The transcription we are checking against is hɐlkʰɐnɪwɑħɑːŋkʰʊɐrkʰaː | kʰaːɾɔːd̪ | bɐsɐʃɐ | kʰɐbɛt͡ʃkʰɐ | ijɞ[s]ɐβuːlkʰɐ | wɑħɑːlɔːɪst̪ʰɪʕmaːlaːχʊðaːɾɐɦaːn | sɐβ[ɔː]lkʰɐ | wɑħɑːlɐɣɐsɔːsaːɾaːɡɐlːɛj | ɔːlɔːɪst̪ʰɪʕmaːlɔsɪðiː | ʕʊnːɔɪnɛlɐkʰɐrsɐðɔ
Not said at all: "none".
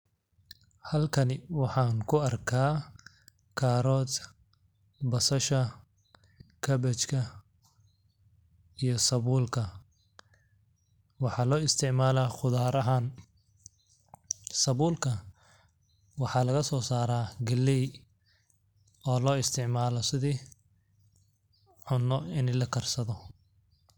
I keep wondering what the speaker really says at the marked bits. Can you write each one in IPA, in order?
s, uː

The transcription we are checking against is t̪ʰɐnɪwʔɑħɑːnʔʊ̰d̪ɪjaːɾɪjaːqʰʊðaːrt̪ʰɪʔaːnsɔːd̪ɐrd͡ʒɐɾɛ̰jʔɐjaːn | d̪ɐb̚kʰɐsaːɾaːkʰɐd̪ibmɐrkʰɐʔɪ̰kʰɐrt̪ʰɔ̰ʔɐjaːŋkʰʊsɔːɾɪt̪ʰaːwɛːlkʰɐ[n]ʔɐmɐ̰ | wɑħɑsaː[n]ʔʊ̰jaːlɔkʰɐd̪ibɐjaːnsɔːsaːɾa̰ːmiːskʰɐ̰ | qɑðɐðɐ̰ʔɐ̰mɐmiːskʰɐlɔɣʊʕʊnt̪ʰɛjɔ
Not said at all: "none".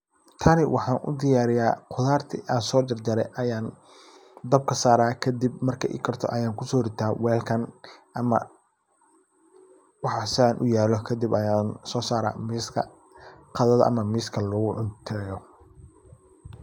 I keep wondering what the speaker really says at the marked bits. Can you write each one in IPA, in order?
n, n

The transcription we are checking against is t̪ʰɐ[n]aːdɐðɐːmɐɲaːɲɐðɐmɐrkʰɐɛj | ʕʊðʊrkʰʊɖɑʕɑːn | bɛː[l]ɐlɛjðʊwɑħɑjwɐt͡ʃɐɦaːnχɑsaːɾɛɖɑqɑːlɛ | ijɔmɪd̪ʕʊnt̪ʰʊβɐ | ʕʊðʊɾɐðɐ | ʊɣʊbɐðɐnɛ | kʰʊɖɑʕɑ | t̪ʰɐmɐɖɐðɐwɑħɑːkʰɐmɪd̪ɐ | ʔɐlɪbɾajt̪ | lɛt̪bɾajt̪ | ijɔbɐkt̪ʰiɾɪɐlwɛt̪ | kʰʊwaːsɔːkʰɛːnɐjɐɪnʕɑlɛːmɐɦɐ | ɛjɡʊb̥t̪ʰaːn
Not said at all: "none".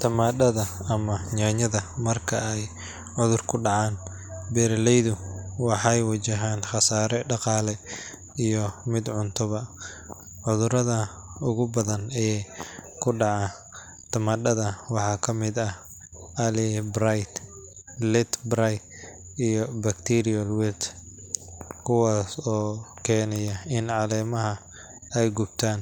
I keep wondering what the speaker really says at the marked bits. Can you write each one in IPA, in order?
m, ɾ

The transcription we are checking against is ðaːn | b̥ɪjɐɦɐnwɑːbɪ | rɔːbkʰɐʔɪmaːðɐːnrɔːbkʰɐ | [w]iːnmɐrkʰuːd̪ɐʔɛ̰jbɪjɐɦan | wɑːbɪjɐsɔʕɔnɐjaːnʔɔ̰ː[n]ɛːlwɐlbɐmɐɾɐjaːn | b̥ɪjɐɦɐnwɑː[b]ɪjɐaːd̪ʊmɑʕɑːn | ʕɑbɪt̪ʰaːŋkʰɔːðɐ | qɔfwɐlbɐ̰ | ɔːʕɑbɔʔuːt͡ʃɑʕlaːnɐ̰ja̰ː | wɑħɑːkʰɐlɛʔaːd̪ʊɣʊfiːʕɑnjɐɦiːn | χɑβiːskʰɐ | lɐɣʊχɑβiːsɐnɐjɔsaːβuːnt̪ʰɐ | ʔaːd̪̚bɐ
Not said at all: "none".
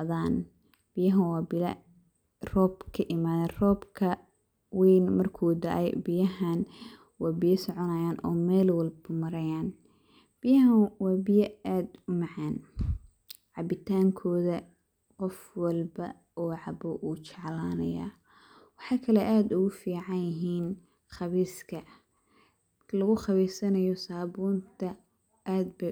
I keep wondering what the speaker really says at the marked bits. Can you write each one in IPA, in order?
w, m, b

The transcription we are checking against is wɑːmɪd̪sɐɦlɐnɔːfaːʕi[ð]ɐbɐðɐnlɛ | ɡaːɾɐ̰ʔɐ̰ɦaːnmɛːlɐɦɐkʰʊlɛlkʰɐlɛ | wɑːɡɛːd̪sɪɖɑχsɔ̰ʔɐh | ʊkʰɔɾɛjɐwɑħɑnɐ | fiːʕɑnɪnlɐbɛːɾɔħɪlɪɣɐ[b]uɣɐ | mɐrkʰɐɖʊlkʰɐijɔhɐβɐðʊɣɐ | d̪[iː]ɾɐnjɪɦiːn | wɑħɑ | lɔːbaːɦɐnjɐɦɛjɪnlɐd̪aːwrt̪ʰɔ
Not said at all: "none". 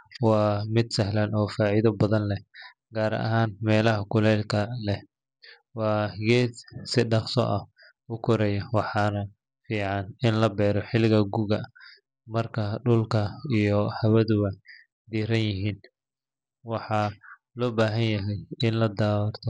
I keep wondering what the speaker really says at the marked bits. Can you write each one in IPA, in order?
ð, ɡ, iː

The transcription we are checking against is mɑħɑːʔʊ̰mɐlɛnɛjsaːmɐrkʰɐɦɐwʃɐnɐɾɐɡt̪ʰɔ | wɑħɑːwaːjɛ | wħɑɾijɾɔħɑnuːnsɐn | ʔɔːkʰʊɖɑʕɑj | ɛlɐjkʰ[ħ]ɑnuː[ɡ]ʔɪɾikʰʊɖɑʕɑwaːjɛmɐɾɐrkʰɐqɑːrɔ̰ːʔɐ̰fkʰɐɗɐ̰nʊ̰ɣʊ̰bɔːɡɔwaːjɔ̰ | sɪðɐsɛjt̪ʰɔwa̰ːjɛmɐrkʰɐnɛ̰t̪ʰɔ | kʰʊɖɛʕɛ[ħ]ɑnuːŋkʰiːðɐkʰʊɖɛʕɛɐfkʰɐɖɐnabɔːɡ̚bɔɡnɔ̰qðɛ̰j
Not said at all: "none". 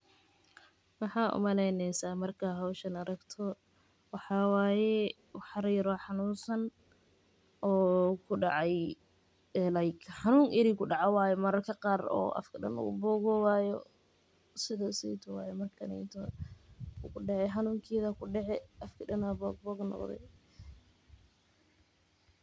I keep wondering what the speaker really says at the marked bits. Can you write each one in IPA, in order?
ħ, ŋ, ħ

